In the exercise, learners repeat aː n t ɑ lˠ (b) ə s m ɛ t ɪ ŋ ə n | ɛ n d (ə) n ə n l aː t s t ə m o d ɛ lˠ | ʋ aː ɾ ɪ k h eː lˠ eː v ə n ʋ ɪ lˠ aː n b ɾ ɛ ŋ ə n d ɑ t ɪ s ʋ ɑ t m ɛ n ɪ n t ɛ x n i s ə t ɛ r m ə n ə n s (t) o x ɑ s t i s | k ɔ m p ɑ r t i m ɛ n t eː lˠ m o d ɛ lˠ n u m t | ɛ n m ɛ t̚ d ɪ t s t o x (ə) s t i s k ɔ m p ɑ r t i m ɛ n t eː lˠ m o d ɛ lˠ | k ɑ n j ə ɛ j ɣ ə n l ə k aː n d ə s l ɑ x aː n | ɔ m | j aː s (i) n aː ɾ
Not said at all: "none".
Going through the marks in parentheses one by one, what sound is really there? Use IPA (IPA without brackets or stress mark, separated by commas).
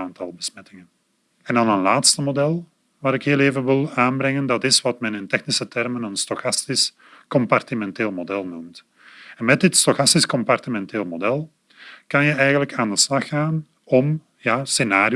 b, ɑ, t, ɑ, e